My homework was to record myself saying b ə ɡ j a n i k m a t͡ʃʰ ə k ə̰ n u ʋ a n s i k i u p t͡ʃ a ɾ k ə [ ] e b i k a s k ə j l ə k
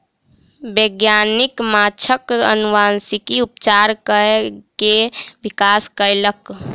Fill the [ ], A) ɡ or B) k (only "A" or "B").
B